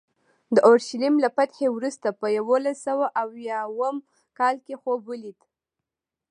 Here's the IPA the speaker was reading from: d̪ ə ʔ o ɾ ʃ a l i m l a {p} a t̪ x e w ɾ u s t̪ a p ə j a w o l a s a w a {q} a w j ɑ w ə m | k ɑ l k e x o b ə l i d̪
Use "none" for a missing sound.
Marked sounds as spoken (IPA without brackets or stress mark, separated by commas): p, ʔ